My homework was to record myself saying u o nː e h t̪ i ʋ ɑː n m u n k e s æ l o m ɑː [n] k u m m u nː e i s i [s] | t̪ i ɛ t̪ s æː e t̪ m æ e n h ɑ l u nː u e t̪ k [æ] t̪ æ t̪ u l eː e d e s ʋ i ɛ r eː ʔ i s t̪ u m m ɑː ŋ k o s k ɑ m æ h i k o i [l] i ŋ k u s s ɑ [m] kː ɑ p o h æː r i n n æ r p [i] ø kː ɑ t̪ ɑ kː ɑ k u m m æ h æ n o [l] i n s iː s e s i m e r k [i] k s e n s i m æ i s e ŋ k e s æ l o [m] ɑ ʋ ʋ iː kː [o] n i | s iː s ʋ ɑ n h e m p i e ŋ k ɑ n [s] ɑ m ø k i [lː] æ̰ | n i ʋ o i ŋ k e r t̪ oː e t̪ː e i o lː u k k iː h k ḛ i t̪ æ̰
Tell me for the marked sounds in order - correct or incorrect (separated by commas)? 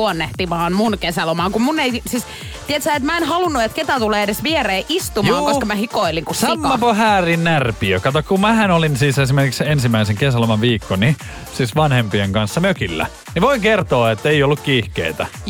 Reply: incorrect, correct, incorrect, correct, correct, correct, correct, correct, correct, correct, incorrect, correct